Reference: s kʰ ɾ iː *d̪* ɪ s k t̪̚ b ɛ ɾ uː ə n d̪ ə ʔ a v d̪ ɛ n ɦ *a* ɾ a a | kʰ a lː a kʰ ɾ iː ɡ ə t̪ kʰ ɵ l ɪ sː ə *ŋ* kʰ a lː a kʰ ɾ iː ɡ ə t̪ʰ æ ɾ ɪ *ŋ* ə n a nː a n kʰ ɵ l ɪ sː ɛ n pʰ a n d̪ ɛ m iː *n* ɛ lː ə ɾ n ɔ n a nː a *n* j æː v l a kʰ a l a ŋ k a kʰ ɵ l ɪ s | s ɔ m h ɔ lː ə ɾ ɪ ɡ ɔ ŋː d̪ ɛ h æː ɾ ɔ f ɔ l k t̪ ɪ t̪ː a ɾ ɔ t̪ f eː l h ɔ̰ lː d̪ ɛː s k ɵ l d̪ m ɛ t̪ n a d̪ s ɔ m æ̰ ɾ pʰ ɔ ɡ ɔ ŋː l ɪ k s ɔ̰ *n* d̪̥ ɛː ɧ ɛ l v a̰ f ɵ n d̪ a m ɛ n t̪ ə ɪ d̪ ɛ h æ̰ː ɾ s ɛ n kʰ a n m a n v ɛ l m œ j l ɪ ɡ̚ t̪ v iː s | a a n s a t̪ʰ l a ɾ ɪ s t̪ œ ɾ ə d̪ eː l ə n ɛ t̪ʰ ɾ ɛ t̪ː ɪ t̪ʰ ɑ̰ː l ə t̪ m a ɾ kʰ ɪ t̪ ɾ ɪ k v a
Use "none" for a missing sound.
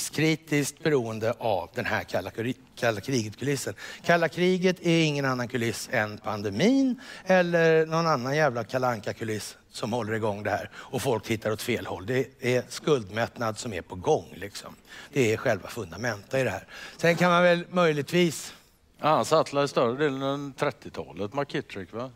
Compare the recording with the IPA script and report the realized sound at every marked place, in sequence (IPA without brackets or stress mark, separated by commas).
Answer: t̪, æ, n, ŋː, n, n, m